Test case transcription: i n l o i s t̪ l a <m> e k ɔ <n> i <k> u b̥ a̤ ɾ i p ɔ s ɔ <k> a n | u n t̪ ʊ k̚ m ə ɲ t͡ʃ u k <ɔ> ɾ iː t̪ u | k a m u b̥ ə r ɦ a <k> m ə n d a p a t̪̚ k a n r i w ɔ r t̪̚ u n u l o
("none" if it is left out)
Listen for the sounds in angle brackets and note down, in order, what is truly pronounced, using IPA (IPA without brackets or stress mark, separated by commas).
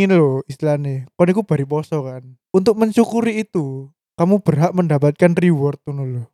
n, n, k, k, u, ʔ